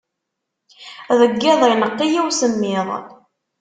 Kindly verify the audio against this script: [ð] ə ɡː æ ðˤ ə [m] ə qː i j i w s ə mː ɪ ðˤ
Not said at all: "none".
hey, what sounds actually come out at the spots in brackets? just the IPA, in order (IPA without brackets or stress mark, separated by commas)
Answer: ð, n